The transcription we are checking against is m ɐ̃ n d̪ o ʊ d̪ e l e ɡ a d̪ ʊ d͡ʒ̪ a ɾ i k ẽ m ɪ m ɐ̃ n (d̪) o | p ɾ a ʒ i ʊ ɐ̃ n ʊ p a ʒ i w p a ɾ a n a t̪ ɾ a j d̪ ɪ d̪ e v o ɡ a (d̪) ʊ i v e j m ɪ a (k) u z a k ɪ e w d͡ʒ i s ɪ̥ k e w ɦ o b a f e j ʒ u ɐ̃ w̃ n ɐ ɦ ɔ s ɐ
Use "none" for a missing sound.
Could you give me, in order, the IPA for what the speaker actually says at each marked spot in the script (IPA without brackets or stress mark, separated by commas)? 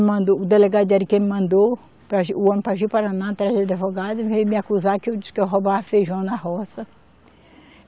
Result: d̪, d̪, k